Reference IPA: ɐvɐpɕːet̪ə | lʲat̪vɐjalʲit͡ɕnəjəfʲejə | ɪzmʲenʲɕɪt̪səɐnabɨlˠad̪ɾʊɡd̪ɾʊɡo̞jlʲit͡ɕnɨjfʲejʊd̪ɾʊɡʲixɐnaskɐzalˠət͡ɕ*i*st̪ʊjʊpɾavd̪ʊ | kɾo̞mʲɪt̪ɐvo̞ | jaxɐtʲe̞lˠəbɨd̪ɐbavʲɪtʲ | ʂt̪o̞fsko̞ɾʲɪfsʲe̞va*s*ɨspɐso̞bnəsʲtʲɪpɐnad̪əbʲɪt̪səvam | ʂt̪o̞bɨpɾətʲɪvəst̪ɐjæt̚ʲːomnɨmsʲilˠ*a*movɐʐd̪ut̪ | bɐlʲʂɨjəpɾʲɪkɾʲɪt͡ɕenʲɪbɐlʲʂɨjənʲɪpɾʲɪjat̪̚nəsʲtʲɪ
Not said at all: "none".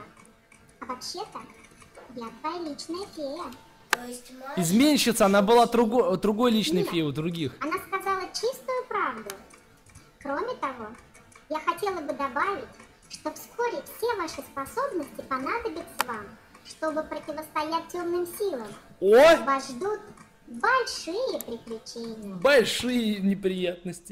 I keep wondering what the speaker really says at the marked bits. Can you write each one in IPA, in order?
i, ʂ, ə

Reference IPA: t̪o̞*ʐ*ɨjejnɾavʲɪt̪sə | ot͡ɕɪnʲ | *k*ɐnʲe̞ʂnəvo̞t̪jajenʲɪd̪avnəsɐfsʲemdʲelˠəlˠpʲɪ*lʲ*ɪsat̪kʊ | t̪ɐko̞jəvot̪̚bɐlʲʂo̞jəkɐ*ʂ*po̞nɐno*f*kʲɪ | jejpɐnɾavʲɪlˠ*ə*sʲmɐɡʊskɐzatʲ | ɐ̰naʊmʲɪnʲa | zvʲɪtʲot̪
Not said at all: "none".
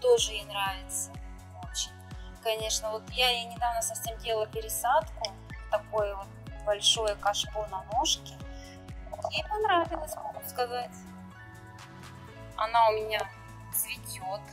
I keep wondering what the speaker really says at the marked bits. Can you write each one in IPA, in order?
ʐ, k, ɾʲ, ʂ, ʂ, ə

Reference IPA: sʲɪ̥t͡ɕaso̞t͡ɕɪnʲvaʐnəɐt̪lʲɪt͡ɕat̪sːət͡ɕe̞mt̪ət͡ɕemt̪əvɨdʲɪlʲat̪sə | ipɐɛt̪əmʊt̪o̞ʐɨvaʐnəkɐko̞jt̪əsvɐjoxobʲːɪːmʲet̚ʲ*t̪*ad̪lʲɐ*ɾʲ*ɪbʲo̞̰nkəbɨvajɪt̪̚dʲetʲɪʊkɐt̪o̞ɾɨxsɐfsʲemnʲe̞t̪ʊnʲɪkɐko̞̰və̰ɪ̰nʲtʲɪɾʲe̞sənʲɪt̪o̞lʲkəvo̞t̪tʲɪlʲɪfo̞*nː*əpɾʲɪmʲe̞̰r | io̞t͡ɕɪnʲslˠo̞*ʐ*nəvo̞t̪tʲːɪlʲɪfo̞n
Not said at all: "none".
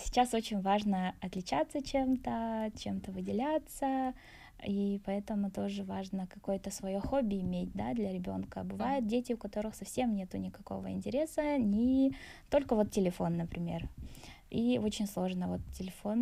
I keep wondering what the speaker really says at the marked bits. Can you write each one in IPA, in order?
d̪, ɾʲ, nː, ʐ

